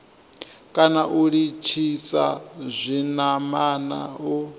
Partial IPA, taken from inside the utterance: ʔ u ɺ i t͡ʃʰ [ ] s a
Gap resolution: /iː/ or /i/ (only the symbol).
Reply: i